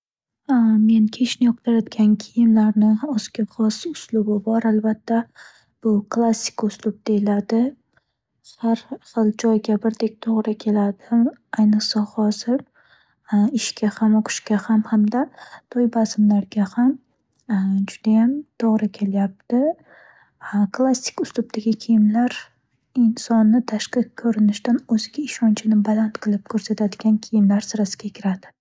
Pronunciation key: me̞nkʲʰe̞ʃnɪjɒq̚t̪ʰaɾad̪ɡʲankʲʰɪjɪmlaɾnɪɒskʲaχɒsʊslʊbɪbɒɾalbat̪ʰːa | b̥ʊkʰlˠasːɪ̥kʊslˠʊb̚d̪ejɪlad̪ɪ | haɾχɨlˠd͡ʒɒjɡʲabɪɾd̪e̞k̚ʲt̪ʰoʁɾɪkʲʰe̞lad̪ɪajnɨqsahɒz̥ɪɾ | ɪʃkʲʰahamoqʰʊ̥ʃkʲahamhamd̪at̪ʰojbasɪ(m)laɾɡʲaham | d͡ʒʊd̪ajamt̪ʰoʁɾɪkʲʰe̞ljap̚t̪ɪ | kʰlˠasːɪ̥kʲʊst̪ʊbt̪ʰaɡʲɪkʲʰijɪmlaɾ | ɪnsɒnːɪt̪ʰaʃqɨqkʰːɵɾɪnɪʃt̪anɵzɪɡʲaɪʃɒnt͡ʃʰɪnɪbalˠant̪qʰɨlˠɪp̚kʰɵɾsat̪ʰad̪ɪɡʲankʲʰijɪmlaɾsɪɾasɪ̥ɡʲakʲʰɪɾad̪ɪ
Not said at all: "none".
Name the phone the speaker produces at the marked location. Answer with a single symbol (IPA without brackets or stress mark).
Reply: m